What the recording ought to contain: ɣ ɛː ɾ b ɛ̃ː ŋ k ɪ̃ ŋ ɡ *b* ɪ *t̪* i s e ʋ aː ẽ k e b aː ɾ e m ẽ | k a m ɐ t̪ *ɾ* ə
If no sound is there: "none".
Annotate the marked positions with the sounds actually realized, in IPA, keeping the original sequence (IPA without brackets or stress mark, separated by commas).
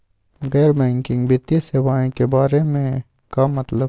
b, t̪, l